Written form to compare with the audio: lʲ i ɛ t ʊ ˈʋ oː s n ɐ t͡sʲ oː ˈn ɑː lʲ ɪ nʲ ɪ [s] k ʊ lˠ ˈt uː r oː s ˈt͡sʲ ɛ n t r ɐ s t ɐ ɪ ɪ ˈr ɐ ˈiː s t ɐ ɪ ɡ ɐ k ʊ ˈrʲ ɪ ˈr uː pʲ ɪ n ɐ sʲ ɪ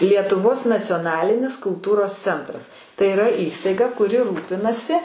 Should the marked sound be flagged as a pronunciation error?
no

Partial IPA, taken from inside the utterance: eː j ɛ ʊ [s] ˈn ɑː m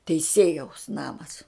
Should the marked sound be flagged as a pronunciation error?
no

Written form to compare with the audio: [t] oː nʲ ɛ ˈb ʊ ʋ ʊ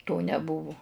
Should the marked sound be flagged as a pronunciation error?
no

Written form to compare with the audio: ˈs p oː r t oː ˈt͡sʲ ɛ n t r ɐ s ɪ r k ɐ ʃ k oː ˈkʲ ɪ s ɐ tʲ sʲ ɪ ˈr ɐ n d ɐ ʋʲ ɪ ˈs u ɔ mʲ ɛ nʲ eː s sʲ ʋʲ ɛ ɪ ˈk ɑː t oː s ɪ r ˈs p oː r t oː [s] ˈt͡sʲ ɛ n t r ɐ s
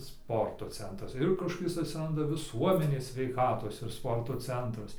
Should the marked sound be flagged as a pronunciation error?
yes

